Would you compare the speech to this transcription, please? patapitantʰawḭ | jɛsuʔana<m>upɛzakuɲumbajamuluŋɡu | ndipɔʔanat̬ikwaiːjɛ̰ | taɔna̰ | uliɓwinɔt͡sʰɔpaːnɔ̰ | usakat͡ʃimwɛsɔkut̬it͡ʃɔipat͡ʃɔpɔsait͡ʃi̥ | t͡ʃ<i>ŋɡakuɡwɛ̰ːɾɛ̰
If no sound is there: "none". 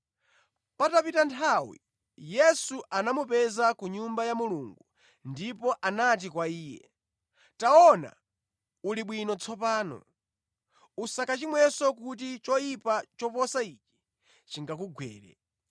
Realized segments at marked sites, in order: m, i

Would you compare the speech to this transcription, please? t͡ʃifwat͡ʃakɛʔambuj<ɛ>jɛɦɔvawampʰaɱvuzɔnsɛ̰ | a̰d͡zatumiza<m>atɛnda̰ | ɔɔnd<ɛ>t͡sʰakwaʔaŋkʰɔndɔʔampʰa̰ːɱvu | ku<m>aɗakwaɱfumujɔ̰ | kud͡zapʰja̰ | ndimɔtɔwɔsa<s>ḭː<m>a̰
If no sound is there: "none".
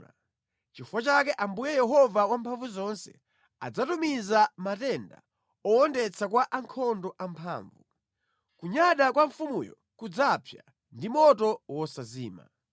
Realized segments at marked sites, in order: ɛ, m, ɛ, ɲ, z, m

